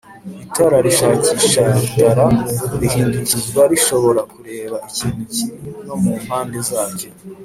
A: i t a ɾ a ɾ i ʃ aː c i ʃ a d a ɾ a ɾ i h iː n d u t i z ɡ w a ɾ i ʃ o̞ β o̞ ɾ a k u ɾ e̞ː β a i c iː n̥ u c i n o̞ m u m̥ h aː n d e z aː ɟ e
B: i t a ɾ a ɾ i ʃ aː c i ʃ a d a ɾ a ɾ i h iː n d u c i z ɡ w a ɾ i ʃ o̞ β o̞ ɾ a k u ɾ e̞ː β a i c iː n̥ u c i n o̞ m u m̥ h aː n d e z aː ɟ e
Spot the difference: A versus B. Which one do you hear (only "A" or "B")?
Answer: B